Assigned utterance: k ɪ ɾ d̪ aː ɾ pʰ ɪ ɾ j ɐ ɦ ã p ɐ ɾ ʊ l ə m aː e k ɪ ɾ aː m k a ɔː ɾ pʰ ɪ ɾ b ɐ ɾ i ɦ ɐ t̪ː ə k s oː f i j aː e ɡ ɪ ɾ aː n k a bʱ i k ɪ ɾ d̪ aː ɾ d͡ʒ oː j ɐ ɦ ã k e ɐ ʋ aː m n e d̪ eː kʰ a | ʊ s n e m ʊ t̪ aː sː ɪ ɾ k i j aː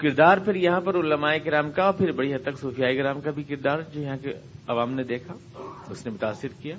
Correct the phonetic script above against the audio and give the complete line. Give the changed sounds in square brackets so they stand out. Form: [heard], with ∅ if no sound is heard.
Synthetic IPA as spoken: k ɪ ɾ d̪ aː ɾ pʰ ɪ ɾ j ɐ ɦ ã p ɐ ɾ ʊ l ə m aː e k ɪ ɾ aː m k a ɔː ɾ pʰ ɪ ɾ b ɐ [ɽ] i ɦ ɐ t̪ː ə k s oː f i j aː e ɡ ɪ ɾ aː [m] k a bʱ i k ɪ ɾ d̪ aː ɾ d͡ʒ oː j ɐ ɦ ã k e ɐ ʋ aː m n e d̪ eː kʰ a | ʊ s n e m ʊ t̪ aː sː ɪ ɾ k i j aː